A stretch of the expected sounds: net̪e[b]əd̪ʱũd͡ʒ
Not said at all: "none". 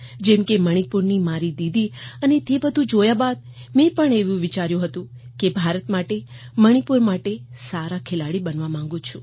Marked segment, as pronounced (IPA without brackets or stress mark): b